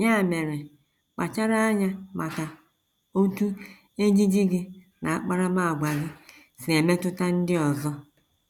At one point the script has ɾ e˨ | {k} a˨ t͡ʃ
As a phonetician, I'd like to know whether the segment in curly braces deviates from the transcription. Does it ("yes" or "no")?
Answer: yes